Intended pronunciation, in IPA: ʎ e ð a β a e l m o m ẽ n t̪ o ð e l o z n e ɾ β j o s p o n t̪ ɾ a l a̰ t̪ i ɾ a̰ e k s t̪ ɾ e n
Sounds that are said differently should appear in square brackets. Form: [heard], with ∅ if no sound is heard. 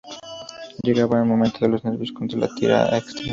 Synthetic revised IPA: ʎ e [ɣ] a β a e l m o m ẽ n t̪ o ð e l o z n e ɾ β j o s [k] o n t̪ ɾ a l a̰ t̪ i ɾ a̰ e k s t̪ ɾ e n